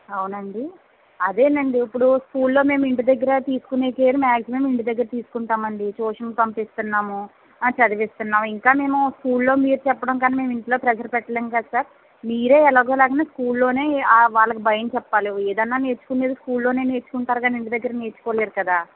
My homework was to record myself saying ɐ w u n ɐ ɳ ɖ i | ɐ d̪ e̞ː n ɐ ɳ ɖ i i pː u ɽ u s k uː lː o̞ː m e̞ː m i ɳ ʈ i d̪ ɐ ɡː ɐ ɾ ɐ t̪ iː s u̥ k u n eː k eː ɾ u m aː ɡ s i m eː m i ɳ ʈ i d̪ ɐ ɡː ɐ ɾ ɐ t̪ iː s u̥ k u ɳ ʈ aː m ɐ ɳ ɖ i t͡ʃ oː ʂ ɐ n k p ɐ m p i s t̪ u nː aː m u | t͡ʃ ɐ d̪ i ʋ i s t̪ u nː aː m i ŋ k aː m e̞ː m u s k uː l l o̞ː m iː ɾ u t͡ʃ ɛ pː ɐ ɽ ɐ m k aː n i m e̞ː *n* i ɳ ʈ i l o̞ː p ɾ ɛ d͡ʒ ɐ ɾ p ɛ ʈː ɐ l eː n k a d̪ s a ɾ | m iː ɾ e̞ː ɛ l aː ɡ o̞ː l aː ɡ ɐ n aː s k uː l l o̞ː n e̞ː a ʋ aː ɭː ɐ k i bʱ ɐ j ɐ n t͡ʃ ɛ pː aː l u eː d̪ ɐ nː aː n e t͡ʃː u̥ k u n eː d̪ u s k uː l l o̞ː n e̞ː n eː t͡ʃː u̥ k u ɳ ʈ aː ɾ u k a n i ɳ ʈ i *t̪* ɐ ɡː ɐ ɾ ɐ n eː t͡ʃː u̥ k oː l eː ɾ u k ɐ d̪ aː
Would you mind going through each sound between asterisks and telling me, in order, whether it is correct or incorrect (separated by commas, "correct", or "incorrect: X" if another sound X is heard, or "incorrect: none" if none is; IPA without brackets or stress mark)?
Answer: incorrect: m, incorrect: d̪